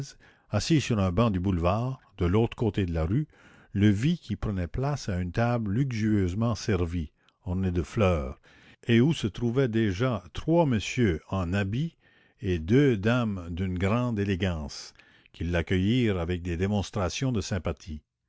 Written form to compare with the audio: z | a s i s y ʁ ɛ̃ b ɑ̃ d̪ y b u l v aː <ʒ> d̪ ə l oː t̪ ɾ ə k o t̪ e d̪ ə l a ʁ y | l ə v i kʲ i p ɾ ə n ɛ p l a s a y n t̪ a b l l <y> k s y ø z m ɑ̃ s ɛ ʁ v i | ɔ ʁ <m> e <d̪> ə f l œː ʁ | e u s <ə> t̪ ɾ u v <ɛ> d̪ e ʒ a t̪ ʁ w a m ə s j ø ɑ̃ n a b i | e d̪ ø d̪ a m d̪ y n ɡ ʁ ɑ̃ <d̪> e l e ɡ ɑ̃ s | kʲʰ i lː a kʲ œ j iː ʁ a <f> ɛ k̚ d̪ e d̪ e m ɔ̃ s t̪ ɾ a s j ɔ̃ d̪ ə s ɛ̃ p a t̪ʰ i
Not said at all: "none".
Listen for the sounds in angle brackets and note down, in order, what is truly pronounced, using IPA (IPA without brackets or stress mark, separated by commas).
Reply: ʁ, y, n, d̪, ə, ɛ, d̪, v